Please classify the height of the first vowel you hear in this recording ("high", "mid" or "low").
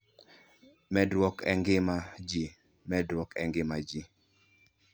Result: mid